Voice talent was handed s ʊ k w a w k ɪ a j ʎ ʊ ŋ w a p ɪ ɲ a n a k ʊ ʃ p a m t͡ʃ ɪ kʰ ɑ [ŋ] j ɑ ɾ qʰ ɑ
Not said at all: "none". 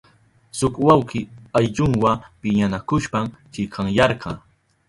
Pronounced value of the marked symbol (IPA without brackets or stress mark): ŋ